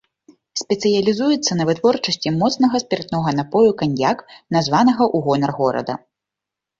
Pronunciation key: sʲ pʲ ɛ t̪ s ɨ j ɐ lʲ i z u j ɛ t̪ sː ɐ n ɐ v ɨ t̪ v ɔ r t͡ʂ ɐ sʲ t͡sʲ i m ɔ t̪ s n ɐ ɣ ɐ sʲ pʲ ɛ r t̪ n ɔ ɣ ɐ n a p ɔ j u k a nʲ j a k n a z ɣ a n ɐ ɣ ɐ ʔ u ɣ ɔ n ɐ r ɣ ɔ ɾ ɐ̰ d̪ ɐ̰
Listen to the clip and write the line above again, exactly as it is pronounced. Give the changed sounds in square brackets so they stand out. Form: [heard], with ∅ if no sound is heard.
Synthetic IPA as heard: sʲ pʲ ɛ t̪ s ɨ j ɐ lʲ i z u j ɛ t̪ sː ɐ n ɐ v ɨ t̪ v ɔ r t͡ʂ ɐ sʲ t͡sʲ i m ɔ t̪ s n ɐ ɣ ɐ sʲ pʲ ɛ r t̪ n ɔ ɣ ɐ n a p ɔ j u k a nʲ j a k n a z [v] a n ɐ ɣ ɐ ʔ u ɣ ɔ n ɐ r ɣ ɔ ɾ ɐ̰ d̪ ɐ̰